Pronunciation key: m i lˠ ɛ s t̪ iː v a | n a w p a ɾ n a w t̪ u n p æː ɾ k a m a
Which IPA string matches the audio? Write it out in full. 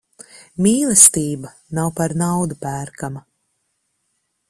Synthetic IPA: m iː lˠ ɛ s t̪ iː b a | n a w p a ɾ n a w d̪ u p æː ɾ k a m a